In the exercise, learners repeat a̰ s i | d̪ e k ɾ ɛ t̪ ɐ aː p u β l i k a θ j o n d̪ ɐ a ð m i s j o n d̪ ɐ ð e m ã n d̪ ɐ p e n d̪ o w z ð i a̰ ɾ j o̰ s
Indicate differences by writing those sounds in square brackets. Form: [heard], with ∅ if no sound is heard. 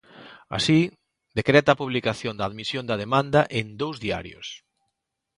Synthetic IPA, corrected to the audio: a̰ s i | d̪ e k ɾ ɛ t̪ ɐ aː p u β l i k a θ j o n d̪ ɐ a ð m i s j o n d̪ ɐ ð e m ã n d̪ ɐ [ʔ] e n d̪ o w z ð i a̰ ɾ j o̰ s